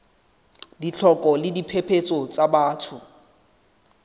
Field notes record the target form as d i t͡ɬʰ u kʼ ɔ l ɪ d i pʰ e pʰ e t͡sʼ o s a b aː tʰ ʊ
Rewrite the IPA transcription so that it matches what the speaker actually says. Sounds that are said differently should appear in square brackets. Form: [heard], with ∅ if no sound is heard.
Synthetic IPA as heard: d i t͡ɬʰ [ɔ] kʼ ɔ l ɪ d i pʰ e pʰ e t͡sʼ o [t͡s] a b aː tʰ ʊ